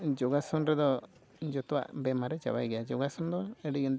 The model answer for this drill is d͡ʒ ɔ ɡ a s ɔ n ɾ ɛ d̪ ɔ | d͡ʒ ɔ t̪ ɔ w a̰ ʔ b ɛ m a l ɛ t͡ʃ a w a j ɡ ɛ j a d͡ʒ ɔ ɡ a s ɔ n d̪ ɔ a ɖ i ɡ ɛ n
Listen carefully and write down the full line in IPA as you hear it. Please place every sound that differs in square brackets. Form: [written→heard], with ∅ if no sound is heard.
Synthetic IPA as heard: d͡ʒ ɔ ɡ a s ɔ n ɾ ɛ d̪ ɔ | d͡ʒ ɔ t̪ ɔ w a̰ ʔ b ɛ m a [l→ɾ] ɛ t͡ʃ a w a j ɡ ɛ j a d͡ʒ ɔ ɡ a s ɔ n d̪ ɔ [a→ɛ] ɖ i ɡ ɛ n